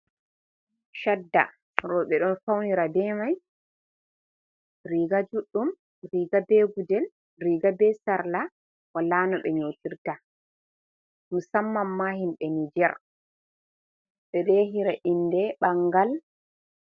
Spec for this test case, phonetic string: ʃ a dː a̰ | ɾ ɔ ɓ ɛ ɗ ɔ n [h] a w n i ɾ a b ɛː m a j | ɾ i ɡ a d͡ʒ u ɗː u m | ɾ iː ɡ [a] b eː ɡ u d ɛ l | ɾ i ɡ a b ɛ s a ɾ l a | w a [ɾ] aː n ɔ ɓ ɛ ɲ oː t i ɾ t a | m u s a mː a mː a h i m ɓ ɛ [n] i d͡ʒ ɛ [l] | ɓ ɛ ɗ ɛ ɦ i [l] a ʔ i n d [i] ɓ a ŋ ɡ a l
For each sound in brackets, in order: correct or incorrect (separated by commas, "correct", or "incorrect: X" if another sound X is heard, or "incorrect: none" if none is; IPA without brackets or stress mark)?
incorrect: f, correct, incorrect: l, correct, incorrect: ɾ, incorrect: ɾ, incorrect: ɛ